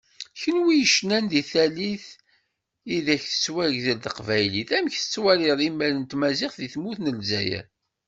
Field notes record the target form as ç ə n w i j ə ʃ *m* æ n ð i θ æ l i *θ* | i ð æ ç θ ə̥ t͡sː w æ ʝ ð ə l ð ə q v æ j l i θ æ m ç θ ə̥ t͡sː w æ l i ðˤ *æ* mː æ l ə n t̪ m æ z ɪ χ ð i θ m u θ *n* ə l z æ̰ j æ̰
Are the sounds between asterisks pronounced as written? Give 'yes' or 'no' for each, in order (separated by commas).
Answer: no, yes, no, yes